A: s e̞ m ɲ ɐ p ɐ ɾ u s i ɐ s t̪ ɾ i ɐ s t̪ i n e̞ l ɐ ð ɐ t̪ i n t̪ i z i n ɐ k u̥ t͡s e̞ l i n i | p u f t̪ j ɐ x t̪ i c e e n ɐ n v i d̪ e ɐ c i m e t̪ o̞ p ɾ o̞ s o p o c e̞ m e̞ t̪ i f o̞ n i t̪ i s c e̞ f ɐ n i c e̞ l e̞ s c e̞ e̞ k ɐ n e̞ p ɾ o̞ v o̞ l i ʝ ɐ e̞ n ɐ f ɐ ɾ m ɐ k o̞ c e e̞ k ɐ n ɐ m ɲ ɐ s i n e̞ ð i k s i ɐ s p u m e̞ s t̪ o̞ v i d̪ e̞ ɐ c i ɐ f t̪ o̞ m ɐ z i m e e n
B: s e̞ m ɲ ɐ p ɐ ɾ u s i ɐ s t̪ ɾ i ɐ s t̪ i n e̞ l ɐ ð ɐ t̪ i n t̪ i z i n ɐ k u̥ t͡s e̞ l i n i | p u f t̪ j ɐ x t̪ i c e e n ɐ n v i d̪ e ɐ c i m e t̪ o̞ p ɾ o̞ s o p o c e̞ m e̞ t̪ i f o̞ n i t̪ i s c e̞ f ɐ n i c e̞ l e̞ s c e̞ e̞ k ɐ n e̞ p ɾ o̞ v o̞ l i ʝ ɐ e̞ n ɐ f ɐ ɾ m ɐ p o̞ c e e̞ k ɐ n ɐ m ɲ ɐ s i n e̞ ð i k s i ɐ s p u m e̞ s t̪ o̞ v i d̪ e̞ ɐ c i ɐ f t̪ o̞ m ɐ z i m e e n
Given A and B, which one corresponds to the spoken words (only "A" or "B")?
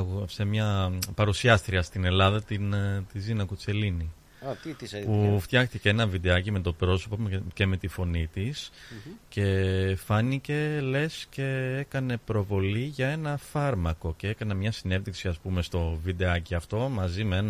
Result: A